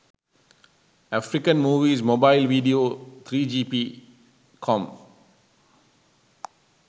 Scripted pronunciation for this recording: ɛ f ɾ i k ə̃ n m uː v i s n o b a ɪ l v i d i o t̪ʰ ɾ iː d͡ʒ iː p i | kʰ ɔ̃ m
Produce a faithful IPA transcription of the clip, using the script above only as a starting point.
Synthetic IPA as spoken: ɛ f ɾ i k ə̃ n m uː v i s m o b a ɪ l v i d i o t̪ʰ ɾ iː d͡ʒ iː p i | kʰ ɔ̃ m